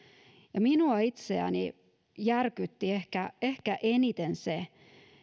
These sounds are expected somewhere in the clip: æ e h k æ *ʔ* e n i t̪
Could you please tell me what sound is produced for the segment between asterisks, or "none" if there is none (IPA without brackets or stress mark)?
ʔ